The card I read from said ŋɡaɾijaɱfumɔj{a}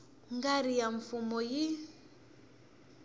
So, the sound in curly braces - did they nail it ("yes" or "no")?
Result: no